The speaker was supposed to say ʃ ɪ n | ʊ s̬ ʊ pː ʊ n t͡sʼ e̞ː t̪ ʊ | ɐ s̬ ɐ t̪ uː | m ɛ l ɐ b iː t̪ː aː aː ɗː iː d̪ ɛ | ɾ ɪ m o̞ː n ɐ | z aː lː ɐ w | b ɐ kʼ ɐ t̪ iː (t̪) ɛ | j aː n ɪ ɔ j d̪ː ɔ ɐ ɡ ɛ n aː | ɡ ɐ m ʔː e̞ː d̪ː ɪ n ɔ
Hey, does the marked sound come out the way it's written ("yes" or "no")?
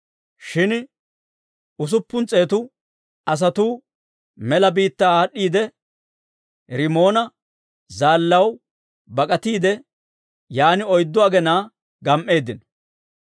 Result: no